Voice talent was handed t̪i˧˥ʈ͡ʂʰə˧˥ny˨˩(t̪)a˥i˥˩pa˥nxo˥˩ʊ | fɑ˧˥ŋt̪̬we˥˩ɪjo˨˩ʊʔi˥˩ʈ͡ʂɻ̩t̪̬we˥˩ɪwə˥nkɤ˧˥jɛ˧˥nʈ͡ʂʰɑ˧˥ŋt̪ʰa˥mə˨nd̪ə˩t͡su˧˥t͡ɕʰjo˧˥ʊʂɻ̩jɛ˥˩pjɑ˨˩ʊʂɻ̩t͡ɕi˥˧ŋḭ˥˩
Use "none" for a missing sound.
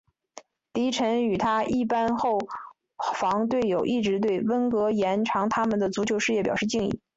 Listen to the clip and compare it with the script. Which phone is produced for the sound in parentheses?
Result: t̪ʰ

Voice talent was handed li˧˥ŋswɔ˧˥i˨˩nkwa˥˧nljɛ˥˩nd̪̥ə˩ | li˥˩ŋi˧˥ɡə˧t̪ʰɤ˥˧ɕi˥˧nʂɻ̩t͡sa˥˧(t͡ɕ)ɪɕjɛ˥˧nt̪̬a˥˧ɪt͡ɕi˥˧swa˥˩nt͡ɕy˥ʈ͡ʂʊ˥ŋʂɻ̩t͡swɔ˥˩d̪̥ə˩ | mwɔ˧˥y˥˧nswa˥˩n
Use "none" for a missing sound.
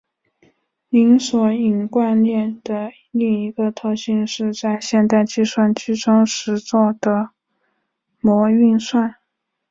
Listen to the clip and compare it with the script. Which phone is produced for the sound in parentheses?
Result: none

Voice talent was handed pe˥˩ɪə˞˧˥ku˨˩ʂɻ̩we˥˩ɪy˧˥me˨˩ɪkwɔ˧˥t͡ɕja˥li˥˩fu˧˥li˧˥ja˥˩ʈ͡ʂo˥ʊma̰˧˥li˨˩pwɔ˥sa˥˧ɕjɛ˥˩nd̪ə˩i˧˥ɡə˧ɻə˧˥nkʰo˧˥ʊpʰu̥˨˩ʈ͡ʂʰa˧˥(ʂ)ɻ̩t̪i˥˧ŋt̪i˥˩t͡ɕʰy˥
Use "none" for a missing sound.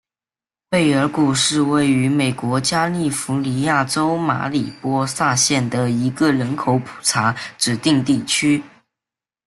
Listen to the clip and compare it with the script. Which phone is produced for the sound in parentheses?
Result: ʈ͡ʂ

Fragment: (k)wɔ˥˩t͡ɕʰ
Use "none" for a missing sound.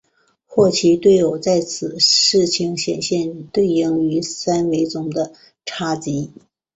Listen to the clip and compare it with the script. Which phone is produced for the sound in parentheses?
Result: x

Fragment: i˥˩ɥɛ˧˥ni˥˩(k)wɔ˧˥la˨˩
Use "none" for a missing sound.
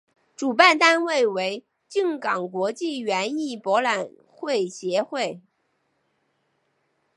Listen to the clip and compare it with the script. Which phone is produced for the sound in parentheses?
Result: p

